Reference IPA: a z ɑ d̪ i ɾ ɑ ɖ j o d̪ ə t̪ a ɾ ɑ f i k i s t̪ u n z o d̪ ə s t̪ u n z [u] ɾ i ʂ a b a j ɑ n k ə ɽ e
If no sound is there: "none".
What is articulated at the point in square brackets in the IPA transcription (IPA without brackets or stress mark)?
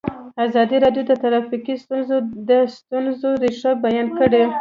o